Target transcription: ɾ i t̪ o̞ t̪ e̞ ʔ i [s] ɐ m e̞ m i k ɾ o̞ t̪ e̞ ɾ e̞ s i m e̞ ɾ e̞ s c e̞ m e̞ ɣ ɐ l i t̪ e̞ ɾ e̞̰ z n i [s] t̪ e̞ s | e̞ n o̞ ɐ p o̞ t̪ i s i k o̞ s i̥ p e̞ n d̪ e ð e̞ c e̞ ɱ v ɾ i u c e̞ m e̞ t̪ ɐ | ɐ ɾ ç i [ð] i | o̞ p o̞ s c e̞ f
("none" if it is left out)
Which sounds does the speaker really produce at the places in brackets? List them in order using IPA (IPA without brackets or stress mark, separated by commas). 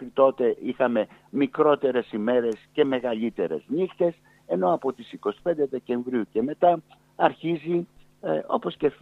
x, x, z